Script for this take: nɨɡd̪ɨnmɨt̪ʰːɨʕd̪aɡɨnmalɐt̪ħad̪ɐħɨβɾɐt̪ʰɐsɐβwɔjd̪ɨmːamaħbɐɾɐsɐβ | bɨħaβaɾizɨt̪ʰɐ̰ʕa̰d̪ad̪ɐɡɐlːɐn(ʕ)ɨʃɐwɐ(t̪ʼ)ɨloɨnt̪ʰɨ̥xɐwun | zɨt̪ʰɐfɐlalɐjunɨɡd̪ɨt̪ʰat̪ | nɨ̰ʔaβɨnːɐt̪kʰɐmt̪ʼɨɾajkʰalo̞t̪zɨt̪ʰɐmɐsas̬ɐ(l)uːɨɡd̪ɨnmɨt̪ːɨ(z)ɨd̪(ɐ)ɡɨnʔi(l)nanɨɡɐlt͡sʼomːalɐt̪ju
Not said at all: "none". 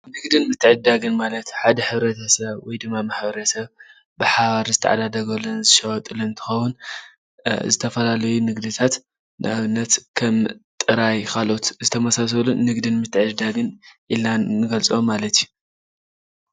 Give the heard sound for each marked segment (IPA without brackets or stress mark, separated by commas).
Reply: z, t̪ʼ, l, ʕ, a, l